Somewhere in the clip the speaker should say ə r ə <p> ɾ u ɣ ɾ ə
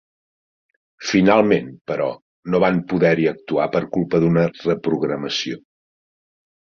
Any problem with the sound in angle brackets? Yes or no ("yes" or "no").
no